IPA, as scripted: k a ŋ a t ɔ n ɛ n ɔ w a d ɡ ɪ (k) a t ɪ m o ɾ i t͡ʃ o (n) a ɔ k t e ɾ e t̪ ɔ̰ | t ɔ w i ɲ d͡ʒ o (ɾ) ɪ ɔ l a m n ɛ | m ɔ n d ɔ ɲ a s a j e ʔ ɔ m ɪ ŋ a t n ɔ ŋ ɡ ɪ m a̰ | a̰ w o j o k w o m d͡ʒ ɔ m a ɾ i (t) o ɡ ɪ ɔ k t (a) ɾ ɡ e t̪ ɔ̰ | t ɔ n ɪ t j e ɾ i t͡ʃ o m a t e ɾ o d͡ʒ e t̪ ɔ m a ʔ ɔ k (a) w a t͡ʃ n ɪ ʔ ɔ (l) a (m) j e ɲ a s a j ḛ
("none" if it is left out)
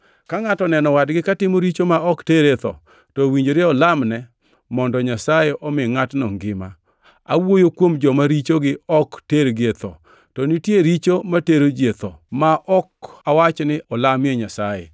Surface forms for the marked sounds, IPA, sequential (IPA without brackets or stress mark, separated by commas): k, m, ɾ, t͡ʃ, e, a, l, m